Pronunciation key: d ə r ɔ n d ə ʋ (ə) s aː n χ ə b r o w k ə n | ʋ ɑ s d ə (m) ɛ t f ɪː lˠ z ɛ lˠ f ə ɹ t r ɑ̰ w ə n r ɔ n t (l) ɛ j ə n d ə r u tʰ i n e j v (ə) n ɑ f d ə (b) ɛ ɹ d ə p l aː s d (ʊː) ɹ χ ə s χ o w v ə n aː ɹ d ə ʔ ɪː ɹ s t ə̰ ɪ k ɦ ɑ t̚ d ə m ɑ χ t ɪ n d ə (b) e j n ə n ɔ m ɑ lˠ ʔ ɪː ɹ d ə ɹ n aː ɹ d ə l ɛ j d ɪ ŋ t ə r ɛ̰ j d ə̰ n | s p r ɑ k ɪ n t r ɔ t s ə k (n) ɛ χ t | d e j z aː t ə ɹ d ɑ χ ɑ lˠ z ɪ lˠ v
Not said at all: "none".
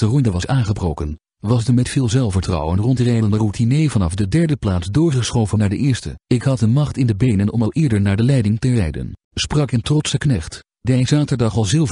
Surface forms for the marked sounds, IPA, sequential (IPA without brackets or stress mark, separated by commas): ɑ, m, r, ɑ, d, ʊː, b, n